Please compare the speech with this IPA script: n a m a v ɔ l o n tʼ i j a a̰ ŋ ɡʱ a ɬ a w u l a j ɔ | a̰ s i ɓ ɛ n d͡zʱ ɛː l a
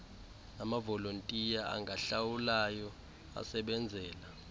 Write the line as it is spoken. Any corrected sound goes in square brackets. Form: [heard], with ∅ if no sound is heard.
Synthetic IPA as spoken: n a m a v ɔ l o n tʼ i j a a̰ ŋ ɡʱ a ɬ a w u l a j ɔ | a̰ s [ɛ] ɓ ɛ n d͡zʱ ɛː l a